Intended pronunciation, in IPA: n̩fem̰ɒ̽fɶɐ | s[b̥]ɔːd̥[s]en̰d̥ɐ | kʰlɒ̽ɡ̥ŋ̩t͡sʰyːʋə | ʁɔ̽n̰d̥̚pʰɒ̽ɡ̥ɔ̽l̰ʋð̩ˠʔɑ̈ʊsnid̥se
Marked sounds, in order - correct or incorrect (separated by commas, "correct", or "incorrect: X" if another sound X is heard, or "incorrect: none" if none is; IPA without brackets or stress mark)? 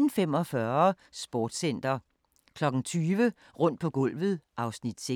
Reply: correct, correct